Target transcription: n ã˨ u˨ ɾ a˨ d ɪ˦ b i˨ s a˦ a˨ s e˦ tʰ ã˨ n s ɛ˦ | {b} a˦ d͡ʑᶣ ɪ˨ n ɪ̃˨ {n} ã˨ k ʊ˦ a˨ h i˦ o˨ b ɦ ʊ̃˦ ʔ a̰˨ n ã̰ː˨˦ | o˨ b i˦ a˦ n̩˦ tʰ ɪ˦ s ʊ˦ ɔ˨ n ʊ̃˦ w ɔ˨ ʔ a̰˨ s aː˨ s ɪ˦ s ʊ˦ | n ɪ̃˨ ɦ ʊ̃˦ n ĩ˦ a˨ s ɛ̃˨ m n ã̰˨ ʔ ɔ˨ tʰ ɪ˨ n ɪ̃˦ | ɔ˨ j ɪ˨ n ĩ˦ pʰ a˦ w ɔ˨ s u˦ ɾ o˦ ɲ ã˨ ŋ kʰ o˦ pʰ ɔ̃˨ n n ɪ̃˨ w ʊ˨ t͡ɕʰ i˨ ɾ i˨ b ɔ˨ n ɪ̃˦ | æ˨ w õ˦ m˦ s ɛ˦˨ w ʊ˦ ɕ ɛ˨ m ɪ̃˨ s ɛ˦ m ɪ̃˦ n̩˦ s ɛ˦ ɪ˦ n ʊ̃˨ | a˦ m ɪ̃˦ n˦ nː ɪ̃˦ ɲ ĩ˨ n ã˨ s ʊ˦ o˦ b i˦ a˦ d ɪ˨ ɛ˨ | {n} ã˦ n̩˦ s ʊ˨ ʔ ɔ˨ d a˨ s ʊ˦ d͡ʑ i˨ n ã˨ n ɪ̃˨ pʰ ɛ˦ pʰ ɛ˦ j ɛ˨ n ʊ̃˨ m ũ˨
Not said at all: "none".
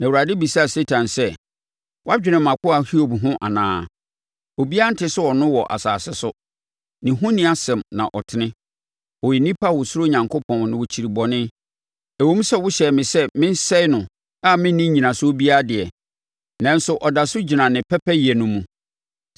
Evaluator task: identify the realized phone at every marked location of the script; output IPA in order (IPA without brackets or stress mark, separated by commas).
w, m, n